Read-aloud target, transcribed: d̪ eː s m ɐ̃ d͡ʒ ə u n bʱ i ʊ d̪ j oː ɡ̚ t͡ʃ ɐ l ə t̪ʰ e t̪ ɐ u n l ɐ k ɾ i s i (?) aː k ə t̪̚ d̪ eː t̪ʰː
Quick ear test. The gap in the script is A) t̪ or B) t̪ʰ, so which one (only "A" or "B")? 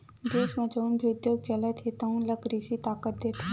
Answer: A